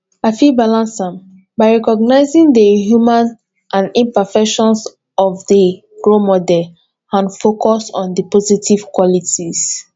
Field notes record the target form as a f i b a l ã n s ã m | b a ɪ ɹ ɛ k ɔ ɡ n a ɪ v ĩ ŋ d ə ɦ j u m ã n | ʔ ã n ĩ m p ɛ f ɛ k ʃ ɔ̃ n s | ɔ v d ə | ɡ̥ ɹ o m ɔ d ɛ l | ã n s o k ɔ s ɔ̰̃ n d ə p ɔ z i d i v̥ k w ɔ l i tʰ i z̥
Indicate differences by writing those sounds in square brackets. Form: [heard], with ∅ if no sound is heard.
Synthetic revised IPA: a f i b a l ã n s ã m | b a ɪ ɹ ɛ k ɔ ɡ n a ɪ [z] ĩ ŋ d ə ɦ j u m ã n | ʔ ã n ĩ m p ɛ f ɛ k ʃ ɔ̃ n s | ɔ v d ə | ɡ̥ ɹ o m ɔ d ɛ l | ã n [f] o k ɔ s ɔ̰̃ n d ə p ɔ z i [t] i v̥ k w ɔ l i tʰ i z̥

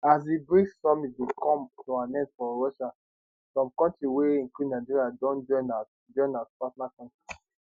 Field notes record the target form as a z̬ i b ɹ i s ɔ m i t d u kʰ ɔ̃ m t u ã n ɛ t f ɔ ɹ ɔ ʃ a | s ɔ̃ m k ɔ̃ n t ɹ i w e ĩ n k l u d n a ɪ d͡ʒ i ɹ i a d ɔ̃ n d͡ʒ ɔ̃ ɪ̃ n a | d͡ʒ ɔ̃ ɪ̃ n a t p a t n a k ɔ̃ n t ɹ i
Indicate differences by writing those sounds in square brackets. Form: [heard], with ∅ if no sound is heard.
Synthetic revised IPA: a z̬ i b ɹ i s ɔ m i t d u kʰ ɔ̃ m t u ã n ɛ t f ɔ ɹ ɔ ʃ a | s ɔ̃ m k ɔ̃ n t ɹ i w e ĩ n k l u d n a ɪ d͡ʒ i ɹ i a d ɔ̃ n d͡ʒ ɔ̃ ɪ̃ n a | d͡ʒ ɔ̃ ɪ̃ n a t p a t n a k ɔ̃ n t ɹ i

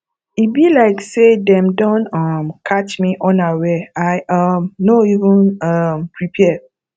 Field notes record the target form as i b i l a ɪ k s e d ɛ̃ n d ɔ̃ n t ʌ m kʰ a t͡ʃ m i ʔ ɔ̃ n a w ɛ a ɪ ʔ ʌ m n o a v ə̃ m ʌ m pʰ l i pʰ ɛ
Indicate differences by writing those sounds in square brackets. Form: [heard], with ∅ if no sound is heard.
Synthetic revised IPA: i b i l a ɪ k s e d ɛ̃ [m] d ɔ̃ n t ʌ m kʰ a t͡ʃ m i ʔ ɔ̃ n a w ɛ a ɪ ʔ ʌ m n o [i] v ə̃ [n] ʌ m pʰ [ɹ] i pʰ ɛ

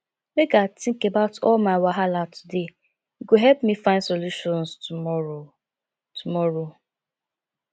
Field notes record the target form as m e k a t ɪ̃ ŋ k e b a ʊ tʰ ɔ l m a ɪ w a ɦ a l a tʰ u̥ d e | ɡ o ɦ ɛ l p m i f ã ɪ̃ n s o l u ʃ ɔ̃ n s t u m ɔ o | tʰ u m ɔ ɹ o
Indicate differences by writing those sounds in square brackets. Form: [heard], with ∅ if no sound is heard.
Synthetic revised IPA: m e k a t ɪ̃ ŋ k e b a ʊ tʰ ɔ l m a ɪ w a ɦ a l a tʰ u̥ d e | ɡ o ɦ ɛ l p m i f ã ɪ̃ n s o l u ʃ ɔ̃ n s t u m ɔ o | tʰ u m ɔ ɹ o

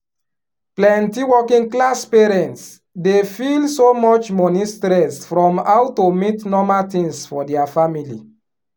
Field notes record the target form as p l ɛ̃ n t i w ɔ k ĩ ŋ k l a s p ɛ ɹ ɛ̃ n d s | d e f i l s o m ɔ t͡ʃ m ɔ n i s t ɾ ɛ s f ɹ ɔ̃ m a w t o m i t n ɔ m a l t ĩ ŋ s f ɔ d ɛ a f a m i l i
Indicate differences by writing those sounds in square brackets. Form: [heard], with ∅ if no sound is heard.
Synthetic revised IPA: p l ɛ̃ n t i w ɔ k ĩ ŋ k l a s p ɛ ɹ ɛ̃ n [t] s | d e f i l s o m ɔ t͡ʃ m ɔ n i s t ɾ ɛ s f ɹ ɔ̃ m a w t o m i t n ɔ m a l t ĩ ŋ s f ɔ d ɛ a f a m i l i

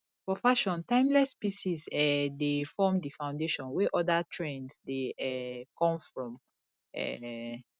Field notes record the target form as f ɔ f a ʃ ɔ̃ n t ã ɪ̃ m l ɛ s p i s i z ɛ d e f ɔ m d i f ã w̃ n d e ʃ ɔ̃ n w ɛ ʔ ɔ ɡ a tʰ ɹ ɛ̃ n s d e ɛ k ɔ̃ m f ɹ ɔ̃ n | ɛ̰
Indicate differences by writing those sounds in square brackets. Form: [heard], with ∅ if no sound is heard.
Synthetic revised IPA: f ɔ f a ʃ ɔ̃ n t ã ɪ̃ m l ɛ s p i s i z ɛ d e f ɔ m d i f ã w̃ n d e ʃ ɔ̃ n w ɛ ʔ ɔ [d] a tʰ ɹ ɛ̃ n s d e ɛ k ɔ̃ m f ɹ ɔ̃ [m] | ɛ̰

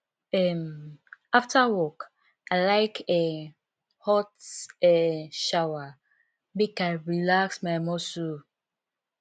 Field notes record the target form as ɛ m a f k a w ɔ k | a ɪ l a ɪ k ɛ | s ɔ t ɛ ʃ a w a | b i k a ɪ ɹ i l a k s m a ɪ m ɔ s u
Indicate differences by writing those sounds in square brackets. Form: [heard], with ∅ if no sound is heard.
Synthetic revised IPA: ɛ m a f [t] a w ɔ k | a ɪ l a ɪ k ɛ | [h] ɔ t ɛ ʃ a w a | b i k a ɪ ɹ i l a k s m a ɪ m ɔ s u

